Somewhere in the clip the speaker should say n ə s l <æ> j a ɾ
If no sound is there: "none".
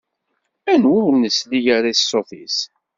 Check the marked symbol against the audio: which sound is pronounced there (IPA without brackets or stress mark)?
i